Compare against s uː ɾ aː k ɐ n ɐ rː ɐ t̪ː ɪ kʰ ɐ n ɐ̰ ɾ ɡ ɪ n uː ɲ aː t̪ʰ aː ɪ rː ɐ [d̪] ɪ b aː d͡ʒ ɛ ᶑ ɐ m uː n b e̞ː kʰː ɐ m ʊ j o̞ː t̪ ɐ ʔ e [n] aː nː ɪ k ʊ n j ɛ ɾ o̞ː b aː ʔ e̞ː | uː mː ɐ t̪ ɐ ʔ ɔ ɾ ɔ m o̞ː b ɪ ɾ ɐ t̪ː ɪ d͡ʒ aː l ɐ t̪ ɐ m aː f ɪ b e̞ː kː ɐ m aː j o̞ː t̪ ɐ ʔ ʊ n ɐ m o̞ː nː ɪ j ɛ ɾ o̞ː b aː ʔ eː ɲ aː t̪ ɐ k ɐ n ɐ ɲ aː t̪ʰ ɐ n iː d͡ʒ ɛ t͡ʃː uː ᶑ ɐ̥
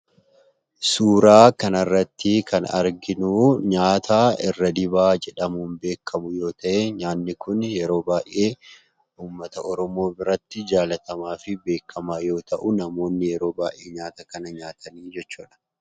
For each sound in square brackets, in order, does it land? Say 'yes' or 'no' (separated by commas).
yes, no